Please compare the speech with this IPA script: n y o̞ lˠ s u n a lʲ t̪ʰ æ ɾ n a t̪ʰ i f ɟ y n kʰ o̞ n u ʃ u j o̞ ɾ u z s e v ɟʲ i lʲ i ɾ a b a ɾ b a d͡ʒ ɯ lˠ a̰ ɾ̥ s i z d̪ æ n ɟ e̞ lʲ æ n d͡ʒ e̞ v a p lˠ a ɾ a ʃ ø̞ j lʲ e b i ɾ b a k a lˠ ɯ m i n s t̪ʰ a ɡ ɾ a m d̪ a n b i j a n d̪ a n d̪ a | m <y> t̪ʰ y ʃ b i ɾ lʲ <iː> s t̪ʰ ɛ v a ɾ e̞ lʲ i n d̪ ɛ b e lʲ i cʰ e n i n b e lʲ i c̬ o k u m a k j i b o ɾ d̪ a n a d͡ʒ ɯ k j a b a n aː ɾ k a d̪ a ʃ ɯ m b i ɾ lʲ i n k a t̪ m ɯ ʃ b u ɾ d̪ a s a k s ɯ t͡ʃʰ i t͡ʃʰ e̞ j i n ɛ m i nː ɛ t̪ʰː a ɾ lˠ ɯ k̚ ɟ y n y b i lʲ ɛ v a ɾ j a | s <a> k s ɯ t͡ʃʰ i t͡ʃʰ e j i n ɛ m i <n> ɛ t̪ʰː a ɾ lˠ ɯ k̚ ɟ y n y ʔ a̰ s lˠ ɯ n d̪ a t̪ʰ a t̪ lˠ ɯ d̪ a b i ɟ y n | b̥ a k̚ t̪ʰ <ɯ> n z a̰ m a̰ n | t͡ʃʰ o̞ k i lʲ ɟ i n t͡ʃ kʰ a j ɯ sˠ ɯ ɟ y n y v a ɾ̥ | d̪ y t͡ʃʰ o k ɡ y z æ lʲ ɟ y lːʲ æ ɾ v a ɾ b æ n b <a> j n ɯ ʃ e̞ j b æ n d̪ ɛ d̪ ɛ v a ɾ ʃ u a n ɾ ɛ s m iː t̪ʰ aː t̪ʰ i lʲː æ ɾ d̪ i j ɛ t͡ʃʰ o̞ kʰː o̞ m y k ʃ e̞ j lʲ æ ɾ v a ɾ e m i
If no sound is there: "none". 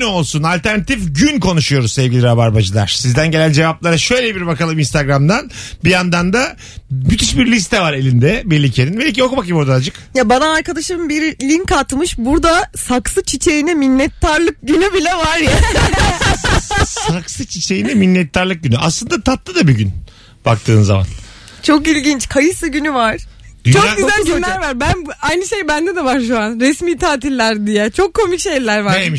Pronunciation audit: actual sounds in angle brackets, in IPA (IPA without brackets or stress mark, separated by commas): y, i, a, nː, ɯː, a